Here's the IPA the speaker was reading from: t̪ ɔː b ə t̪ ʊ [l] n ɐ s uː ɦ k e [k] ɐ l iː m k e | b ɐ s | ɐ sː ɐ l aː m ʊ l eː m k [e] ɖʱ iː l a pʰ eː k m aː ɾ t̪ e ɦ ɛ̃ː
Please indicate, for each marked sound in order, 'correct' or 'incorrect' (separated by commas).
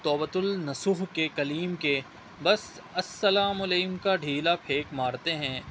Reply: correct, correct, incorrect